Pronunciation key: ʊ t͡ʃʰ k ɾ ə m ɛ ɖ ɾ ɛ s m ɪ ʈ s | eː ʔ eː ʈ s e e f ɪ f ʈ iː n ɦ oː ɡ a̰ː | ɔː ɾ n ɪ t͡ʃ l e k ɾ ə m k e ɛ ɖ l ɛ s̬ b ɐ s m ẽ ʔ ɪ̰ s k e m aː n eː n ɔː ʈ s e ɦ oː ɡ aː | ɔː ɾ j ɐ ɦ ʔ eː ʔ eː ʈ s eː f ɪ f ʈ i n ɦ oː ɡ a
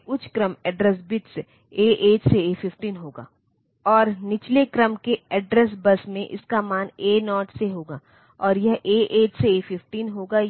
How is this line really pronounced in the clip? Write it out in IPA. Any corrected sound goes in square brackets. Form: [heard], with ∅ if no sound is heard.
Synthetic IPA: ʊ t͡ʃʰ k ɾ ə m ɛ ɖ ɾ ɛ s [b] ɪ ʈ s | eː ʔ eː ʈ s e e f ɪ f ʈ iː n ɦ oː ɡ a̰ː | ɔː ɾ n ɪ t͡ʃ l e k ɾ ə m k e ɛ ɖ [ɾ] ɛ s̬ b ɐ s m ẽ ʔ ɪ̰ s k [a] m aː n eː n ɔː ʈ s e ɦ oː ɡ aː | ɔː ɾ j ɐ ɦ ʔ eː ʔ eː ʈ s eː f ɪ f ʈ [iː] n ɦ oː ɡ a